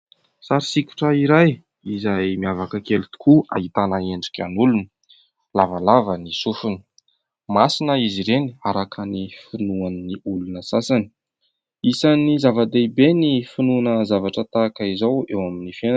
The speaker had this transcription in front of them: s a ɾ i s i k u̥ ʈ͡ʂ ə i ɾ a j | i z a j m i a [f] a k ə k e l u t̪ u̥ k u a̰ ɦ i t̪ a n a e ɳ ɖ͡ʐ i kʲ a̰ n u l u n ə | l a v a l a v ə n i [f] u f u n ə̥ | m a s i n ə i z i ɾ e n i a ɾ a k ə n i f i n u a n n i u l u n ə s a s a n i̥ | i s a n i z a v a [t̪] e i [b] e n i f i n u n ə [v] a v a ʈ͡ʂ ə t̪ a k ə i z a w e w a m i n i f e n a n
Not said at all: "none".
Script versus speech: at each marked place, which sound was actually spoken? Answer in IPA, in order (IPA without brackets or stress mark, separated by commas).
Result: v, s, d̪, b, z